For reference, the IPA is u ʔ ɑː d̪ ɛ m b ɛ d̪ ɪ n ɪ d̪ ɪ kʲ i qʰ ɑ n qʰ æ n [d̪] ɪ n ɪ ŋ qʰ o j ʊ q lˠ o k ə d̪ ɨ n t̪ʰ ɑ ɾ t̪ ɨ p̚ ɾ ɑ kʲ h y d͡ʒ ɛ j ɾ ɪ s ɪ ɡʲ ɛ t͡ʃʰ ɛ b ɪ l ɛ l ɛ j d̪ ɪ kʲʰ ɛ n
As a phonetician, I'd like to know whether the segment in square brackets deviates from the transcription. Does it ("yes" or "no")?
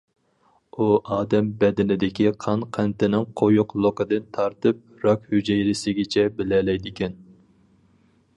yes